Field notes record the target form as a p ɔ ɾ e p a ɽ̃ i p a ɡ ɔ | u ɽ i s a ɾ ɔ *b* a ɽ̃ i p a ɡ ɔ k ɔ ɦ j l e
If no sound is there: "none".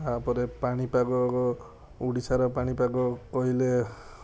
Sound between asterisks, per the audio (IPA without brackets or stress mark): p